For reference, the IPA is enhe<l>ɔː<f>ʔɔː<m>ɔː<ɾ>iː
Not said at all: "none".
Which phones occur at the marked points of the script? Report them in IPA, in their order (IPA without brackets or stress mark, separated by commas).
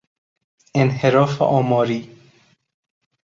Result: ɾ, f, m, ɾ